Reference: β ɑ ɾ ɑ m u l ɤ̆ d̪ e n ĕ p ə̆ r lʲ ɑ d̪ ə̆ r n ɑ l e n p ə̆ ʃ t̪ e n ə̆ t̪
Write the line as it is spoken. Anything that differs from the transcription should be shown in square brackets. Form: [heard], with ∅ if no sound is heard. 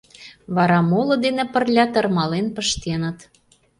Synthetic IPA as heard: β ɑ ɾ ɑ m [o] l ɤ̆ d̪ e n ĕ p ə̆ r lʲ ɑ [t̪] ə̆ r [m] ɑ l e n p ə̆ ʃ t̪ e n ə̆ t̪